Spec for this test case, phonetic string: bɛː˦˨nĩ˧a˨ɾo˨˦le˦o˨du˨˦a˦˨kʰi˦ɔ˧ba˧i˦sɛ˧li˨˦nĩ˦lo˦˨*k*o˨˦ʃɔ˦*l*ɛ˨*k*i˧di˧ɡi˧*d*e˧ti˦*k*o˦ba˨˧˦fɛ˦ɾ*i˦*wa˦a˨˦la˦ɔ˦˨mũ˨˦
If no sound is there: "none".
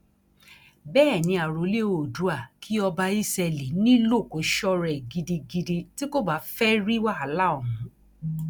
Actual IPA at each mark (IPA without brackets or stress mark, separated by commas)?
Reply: k, ɾ, ɡ, d, k, i˦